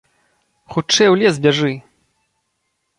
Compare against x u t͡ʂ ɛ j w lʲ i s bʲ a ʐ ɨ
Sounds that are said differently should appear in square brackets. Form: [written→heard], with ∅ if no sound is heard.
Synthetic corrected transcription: x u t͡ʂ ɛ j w lʲ [i→ɛ] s bʲ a ʐ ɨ